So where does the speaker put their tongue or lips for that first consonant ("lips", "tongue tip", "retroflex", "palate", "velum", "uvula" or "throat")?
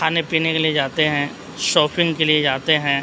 tongue tip